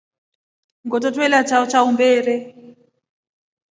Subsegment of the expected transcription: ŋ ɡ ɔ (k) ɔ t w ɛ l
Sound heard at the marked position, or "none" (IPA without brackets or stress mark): t